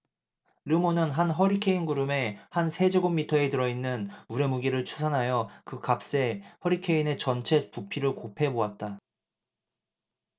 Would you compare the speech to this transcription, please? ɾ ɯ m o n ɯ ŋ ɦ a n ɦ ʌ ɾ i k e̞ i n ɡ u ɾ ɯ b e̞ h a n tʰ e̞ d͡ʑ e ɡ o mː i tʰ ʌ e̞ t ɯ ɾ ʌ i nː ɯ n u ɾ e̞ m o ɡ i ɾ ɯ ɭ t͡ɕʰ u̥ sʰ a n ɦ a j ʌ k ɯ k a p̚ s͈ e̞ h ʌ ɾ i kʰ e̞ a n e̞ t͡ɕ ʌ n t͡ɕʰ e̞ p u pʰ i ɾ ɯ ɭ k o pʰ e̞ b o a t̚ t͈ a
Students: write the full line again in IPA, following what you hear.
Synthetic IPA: ɾ ɯ m o n ɯ n ɦ a n ɦ ʌ ɾ i kʰ e̞ i n ɡ u ɾ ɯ m e̞ h a n sʰ e̞ d͡ʑ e ɡ o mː i tʰ ʌ e̞ t ɯ ɾ ʌ i nː ɯ n u ɾ e̞ m u ɡ i ɾ ɯ ɭ t͡ɕʰ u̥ sʰ a n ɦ a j ʌ k ɯ k a p̚ s͈ e̞ h ʌ ɾ i kʰ e̞ i n e̞ t͡ɕ ʌ n t͡ɕʰ e̞ p u pʰ i ɾ ɯ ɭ k o pʰ e̞ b o a t̚ t͈ a